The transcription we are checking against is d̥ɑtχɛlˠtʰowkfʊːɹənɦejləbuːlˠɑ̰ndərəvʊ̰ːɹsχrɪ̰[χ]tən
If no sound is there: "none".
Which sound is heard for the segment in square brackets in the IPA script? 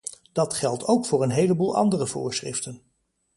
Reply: f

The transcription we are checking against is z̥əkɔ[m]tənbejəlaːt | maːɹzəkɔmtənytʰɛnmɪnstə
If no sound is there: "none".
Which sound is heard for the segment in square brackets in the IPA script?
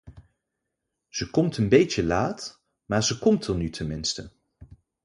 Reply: m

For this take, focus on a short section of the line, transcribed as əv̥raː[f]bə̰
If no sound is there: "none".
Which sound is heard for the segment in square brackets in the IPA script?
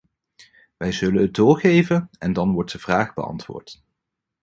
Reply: χ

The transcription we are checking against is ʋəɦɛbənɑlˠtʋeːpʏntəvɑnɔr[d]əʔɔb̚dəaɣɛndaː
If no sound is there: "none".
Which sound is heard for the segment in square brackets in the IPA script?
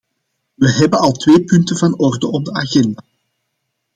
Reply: d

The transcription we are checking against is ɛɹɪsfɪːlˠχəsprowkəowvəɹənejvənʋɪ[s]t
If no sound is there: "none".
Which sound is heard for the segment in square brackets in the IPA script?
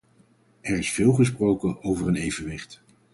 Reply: χ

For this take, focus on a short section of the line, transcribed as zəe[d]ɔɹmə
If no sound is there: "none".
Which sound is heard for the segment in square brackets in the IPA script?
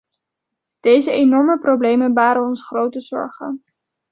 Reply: n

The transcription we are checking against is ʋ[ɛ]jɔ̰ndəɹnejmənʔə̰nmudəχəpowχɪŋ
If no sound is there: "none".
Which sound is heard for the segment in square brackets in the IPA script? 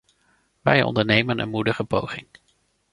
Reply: ɛ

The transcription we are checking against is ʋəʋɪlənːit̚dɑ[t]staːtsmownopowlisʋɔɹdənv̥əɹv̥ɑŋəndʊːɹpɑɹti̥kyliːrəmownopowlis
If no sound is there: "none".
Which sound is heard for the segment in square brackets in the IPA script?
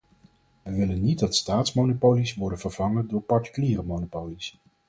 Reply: t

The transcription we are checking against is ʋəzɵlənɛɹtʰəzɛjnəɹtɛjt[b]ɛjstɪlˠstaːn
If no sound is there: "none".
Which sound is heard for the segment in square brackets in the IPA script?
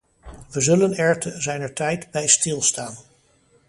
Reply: b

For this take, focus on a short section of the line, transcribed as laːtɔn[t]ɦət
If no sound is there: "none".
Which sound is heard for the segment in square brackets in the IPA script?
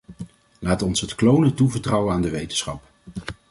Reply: s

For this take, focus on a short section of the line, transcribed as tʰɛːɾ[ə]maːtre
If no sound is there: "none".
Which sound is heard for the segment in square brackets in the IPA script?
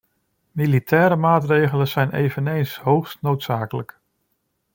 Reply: ə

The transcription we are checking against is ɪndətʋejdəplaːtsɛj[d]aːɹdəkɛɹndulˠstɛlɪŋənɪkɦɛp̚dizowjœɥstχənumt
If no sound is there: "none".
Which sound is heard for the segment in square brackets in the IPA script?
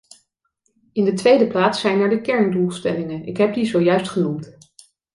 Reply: n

